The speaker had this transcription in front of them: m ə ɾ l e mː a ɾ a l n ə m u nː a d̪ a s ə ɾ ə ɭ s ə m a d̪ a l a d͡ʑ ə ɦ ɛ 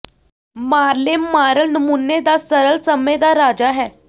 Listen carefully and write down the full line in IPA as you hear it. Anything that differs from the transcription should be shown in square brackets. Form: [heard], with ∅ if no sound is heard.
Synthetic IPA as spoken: m [a] ɾ l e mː a ɾ [ə] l n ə m u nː [e] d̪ a s ə ɾ ə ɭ s ə m [e] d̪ a [ɾ] a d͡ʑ [a] ɦ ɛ